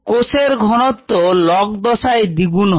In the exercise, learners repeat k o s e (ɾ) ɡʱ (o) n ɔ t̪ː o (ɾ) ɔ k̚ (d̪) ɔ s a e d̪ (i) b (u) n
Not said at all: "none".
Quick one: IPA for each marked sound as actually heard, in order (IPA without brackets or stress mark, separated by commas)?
ɾ, ɔ, l, d̪, i, u